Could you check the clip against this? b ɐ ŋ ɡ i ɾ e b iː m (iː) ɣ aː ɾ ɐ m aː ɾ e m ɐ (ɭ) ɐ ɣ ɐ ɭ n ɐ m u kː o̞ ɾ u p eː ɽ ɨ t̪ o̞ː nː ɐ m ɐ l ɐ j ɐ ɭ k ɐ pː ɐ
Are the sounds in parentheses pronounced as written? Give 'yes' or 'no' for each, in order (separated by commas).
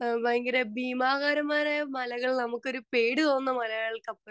no, no